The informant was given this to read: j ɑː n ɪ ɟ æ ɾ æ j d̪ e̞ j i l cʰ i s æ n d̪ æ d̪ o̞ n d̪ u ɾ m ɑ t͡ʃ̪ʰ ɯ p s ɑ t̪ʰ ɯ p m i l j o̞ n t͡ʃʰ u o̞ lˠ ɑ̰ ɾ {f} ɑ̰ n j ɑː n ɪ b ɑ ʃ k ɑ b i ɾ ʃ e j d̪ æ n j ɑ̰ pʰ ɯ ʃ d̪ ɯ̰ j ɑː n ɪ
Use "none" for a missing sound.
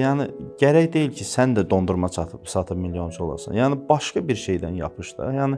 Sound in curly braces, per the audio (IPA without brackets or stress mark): s